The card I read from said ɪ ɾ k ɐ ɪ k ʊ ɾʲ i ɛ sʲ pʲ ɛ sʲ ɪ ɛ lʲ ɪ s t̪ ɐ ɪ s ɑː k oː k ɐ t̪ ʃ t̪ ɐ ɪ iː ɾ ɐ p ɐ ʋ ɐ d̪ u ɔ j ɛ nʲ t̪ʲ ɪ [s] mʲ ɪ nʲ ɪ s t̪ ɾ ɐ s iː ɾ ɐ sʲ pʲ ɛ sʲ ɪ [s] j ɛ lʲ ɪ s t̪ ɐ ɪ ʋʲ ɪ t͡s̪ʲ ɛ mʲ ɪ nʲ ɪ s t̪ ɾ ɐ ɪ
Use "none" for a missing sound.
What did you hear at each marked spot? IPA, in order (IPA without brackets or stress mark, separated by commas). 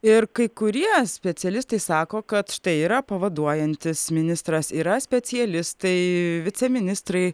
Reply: s, none